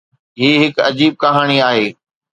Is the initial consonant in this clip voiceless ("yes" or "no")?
no